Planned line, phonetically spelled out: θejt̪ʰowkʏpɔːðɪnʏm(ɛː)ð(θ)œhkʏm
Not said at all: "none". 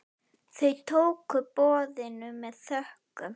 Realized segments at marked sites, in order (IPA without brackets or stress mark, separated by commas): ɛ, θ